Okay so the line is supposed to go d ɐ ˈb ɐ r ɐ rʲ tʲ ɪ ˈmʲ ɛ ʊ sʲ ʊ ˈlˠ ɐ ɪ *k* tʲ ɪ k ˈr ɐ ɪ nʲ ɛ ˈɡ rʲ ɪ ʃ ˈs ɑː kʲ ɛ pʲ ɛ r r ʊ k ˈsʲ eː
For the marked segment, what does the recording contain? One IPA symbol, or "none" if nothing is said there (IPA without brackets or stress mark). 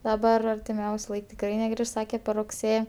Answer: k